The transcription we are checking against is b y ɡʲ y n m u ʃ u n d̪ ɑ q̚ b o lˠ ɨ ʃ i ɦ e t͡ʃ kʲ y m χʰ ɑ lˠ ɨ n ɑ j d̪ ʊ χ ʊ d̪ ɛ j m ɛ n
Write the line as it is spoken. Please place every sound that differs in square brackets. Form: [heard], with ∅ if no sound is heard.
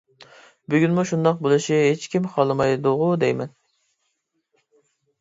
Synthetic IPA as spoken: b y ɡʲ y n m u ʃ u n d̪ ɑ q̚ b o lˠ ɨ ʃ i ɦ e t͡ʃ kʲ [i] m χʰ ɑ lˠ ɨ [m] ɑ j d̪ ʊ [ʁ] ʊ d̪ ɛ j m ɛ n